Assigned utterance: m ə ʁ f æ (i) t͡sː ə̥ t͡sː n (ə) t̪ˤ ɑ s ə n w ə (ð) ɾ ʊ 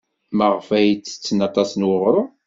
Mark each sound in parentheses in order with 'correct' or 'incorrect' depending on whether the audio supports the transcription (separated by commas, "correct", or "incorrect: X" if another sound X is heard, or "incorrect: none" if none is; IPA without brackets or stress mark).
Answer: incorrect: j, incorrect: ɑ, incorrect: ʁ